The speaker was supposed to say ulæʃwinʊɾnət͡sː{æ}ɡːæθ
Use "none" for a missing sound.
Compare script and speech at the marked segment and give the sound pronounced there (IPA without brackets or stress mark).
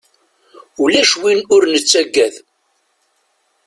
æ